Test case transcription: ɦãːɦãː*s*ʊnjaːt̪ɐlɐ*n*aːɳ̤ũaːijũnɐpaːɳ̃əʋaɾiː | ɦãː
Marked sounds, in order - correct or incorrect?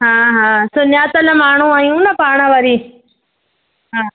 correct, incorrect: m

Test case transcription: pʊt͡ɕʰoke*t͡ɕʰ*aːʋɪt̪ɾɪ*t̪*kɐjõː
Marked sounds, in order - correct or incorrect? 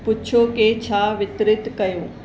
correct, correct

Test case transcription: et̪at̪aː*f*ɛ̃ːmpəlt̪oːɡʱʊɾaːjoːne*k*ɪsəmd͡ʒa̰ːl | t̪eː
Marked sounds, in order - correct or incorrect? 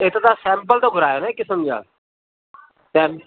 incorrect: s, correct

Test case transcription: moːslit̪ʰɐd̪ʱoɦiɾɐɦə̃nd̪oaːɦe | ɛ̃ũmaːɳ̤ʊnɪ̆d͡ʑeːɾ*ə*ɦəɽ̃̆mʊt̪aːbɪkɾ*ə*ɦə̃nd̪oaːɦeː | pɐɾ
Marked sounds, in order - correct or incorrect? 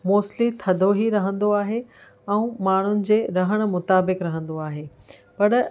incorrect: ɐ, incorrect: ɐ

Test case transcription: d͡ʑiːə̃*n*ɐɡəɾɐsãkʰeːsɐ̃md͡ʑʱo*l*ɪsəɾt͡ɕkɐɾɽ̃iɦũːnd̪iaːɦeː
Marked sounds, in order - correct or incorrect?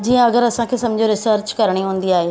incorrect: none, incorrect: ɾ

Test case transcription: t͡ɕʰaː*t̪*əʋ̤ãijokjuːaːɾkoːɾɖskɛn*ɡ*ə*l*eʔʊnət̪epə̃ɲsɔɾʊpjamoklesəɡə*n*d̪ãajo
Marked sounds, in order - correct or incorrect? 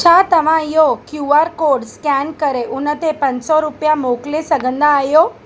correct, incorrect: k, incorrect: ɾ, correct

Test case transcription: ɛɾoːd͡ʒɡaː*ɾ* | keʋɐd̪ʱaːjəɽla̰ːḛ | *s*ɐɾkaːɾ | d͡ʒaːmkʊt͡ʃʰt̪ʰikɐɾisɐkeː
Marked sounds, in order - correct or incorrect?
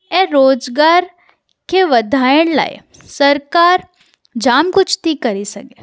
correct, correct

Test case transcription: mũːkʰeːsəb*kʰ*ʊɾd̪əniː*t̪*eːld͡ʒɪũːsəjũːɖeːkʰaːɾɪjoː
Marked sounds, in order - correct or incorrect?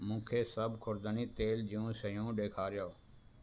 correct, correct

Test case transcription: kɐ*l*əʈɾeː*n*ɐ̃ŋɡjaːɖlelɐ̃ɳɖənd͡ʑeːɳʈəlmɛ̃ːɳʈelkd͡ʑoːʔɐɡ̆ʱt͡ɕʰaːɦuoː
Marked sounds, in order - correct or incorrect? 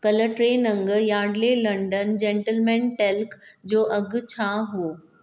correct, correct

